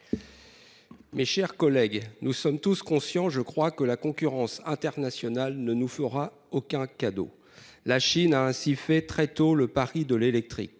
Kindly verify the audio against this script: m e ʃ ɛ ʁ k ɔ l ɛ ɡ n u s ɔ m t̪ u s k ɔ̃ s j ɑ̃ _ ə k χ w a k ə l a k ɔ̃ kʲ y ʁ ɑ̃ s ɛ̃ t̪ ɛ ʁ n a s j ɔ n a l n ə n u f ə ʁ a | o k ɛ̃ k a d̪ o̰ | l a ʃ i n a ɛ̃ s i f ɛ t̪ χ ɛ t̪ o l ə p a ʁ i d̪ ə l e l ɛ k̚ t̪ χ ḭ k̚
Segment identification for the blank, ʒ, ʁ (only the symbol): ʒ